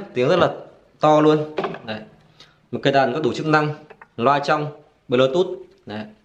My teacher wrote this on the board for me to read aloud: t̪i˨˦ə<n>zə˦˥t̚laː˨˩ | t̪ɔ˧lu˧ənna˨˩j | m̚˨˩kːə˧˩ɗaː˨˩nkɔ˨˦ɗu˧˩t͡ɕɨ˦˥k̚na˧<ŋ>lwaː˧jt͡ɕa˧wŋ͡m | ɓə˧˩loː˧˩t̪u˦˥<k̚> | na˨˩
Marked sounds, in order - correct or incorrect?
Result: incorrect: ŋ, correct, incorrect: t̚

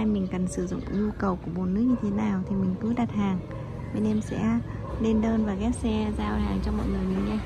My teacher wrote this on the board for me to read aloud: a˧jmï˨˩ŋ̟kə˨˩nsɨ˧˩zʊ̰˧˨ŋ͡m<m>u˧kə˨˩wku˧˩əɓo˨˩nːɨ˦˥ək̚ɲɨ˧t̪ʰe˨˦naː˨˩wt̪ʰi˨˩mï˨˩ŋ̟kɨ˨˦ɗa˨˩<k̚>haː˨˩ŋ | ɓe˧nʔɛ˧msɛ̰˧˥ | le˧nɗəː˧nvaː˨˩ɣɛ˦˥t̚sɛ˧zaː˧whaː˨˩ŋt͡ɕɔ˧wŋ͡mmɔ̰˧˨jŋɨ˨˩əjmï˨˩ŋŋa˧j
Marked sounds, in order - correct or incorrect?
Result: incorrect: ɲ, incorrect: t̚

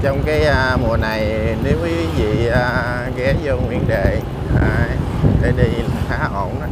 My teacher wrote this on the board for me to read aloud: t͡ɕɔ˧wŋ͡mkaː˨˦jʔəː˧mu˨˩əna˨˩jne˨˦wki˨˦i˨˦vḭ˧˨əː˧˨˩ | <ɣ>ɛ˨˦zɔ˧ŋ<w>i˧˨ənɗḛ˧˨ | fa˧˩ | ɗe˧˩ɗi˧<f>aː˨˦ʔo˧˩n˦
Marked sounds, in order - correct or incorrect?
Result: correct, correct, incorrect: x

